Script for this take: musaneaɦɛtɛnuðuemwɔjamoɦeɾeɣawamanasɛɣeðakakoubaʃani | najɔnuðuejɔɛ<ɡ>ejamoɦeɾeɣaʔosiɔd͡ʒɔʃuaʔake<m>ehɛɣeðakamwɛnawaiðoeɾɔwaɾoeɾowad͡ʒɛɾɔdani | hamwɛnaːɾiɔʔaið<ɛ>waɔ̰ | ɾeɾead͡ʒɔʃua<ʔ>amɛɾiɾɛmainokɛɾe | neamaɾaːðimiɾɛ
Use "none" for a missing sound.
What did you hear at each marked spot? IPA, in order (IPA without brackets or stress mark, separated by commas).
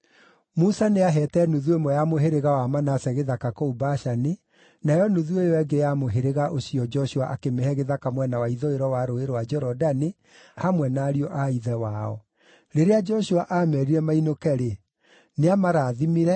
ɡ, m, ɛ, ʔ